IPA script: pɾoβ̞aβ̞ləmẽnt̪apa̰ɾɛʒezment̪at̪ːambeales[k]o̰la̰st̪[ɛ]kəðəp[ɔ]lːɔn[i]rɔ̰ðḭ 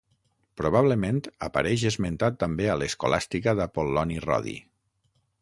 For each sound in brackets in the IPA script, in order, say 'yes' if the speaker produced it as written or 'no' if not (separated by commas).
yes, no, no, yes